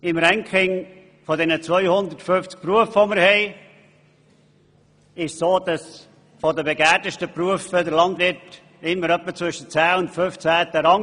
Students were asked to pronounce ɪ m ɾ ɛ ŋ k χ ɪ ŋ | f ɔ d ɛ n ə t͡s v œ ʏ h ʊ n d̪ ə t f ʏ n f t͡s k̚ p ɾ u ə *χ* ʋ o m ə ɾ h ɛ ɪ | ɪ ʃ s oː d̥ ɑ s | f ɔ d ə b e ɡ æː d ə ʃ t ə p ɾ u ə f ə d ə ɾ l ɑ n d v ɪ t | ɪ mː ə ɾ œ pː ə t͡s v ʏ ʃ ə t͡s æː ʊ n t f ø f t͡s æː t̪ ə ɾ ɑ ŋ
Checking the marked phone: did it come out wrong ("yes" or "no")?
yes